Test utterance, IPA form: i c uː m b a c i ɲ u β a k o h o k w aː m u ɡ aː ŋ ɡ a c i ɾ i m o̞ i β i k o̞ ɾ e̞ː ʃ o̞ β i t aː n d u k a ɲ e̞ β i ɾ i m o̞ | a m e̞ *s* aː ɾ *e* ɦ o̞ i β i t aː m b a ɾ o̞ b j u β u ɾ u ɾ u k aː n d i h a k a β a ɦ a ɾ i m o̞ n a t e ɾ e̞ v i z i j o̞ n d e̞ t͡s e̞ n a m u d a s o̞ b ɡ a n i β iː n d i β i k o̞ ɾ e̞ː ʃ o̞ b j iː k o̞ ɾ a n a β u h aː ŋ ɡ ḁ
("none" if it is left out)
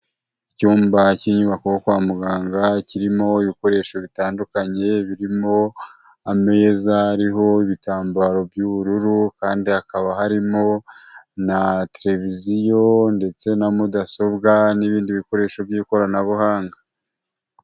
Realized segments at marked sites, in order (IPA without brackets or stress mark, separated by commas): z, i